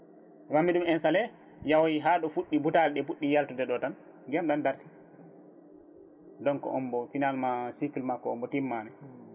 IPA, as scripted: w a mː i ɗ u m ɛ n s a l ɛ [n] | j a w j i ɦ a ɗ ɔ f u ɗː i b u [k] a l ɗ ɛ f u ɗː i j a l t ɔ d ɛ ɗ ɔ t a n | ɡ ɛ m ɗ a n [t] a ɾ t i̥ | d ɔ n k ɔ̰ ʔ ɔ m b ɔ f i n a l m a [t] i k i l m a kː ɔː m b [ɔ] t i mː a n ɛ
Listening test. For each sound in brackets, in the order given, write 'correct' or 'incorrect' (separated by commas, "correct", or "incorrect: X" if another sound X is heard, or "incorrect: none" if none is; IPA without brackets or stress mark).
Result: incorrect: none, incorrect: t, incorrect: d, incorrect: s, correct